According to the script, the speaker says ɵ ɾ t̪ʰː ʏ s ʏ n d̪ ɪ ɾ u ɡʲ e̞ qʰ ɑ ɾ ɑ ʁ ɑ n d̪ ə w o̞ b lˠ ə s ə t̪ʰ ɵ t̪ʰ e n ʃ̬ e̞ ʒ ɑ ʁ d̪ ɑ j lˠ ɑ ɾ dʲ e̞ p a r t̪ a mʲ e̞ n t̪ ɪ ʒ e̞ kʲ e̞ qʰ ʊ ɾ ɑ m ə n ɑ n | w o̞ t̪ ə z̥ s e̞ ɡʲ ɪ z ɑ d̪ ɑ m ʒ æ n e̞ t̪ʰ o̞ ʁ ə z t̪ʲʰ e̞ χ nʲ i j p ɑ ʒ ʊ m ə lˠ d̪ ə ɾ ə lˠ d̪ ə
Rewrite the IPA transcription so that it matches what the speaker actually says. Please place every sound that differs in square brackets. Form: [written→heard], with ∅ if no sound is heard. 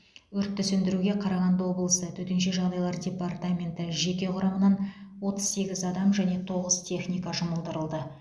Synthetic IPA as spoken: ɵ ɾ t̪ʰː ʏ s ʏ n d̪ ɪ ɾ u ɡʲ e̞ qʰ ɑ ɾ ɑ ʁ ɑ n d̪ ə w o̞ b lˠ ə s ə t̪ʰ ɵ [t̪ʰ→t̪] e n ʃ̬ e̞ ʒ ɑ ʁ d̪ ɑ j lˠ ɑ ɾ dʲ e̞ p a r t̪ a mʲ e̞ n t̪ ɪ ʒ e̞ kʲ e̞ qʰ ʊ ɾ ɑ m ə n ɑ n | w o̞ t̪ ə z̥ s e̞ ɡʲ ɪ z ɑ d̪ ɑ m ʒ æ n e̞ t̪ʰ o̞ ʁ ə z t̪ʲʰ e̞ χ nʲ i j [p→k] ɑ ʒ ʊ m ə lˠ d̪ ə ɾ ə lˠ d̪ ə